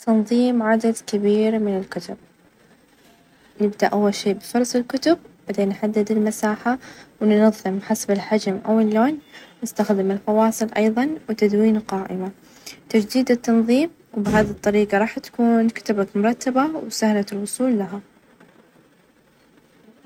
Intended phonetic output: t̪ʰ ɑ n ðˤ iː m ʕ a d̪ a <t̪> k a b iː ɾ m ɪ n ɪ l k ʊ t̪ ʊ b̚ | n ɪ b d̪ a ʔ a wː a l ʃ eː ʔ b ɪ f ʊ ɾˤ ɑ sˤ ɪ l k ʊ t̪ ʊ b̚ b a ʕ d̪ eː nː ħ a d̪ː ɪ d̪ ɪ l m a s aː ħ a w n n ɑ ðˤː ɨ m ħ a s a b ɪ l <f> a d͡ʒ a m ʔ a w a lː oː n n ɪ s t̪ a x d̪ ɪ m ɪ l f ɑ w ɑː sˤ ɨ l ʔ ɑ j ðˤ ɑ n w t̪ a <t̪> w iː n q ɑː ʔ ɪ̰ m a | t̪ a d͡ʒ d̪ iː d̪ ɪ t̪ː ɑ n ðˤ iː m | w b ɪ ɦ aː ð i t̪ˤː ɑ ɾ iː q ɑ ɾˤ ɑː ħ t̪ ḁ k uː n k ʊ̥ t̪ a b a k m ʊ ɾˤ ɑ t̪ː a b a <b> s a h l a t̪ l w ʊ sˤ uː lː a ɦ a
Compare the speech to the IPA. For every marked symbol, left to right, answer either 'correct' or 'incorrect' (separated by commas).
incorrect, incorrect, incorrect, incorrect